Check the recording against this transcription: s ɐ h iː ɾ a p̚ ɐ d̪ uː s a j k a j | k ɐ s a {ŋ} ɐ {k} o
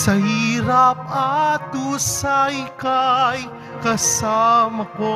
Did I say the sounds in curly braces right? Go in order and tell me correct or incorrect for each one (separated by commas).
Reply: incorrect, correct